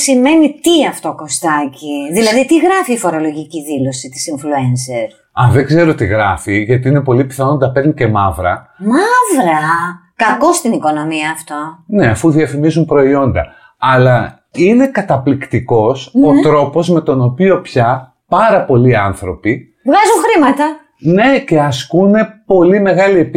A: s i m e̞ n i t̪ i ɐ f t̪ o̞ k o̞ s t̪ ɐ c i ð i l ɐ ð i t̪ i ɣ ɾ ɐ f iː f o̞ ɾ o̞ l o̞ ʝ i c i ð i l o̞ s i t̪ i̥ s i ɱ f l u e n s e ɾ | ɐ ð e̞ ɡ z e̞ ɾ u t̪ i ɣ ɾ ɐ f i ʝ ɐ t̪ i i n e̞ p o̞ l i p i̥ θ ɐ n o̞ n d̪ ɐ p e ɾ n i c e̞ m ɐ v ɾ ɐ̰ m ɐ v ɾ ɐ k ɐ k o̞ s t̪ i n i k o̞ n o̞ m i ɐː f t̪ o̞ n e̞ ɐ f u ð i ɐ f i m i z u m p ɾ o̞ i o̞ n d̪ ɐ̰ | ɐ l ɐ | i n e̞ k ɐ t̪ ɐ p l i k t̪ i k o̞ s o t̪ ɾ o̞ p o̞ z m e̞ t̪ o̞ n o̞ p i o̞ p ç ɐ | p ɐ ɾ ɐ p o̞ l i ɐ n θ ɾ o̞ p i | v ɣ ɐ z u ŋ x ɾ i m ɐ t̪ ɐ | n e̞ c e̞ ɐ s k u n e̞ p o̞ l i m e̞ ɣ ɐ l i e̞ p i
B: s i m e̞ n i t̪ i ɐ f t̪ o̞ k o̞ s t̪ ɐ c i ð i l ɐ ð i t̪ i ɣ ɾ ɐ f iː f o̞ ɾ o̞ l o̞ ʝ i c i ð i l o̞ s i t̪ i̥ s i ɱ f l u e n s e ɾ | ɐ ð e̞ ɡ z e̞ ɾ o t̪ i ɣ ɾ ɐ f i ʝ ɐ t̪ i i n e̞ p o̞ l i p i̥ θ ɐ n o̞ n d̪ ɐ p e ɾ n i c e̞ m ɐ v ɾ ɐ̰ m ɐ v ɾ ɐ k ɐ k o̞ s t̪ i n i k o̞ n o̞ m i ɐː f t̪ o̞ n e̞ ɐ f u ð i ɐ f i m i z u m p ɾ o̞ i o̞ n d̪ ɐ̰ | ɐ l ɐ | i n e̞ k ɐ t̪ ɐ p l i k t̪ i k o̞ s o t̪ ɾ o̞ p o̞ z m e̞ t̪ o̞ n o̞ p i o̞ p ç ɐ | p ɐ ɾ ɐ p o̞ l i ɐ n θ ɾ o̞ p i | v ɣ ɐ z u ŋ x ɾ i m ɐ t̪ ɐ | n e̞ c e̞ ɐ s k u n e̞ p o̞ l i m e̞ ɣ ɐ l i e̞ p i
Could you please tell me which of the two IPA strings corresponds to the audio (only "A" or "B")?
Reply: B